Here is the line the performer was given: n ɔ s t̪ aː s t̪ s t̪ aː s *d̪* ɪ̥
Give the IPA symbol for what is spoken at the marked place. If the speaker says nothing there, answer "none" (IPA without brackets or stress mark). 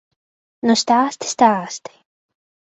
t̪